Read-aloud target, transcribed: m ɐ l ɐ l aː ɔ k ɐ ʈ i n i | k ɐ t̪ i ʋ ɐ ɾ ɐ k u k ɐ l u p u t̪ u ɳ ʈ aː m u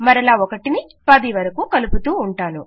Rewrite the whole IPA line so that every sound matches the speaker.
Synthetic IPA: m ɐ ɾ ɐ l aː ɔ k ɐ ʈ i n i | p ɐ d̪ i ʋ ɐ ɾ ɐ k u k ɐ l u p u t̪ uː ɳ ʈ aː n u